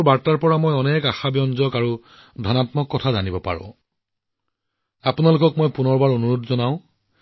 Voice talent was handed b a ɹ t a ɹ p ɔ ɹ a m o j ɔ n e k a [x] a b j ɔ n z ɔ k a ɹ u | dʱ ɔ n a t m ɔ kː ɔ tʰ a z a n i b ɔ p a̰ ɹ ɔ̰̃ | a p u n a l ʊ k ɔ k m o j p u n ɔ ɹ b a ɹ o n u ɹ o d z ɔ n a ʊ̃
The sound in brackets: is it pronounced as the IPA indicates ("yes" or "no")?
yes